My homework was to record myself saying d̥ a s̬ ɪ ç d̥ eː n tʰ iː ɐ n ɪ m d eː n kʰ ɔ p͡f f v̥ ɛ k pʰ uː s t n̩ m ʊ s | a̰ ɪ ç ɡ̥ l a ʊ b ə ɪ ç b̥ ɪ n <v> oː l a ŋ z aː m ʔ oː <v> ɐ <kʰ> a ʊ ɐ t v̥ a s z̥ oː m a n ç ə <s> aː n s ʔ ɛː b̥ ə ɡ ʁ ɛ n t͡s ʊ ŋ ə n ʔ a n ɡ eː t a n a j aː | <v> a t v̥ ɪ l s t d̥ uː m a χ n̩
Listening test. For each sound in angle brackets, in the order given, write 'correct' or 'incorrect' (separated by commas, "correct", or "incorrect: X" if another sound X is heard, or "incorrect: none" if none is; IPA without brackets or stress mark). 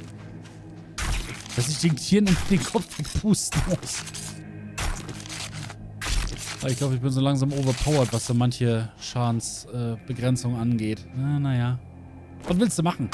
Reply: incorrect: z, correct, incorrect: pʰ, incorrect: ʃ, correct